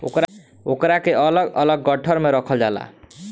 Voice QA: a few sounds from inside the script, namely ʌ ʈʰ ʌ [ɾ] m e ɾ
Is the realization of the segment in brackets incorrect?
no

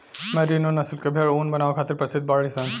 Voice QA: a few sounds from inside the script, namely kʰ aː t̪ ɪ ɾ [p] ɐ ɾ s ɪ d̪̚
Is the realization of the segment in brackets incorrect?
no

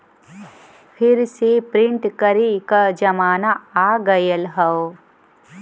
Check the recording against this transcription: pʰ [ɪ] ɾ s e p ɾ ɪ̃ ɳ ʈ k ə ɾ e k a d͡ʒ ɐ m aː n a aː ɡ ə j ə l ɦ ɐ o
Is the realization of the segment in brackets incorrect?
no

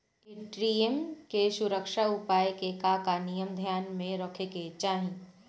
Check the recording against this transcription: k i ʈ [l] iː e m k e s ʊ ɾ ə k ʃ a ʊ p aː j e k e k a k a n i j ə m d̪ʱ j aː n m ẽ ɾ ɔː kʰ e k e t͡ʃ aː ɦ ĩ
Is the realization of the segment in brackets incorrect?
yes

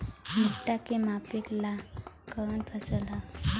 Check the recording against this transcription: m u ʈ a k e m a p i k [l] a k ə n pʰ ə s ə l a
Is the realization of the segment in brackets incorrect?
no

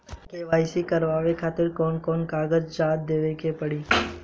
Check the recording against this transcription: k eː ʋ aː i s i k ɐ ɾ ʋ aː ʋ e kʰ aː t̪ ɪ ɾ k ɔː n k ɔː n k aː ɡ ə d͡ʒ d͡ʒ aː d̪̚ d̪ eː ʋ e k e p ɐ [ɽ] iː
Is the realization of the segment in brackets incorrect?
no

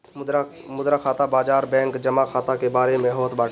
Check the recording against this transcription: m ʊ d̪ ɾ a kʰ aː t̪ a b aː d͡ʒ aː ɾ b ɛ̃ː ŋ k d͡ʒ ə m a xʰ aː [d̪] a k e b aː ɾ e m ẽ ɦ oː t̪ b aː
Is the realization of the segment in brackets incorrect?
yes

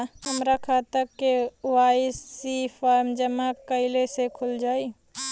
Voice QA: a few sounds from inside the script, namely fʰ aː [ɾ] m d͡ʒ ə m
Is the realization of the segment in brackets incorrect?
no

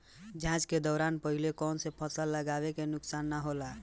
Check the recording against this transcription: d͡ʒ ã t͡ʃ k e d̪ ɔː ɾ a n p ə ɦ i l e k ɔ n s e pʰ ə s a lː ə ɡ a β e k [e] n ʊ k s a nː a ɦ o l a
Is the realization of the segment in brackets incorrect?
no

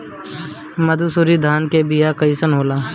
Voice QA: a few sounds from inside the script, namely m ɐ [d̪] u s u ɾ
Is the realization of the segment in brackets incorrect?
no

